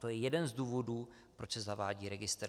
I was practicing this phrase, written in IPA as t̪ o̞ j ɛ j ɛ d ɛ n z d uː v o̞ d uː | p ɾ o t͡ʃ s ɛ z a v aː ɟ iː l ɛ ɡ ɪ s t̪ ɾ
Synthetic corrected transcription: t̪ o̞ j ɛ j ɛ d ɛ n z d uː v o̞ d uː | p ɾ o t͡ʃ s ɛ z a v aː ɟ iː ɾ ɛ ɡ ɪ s t̪ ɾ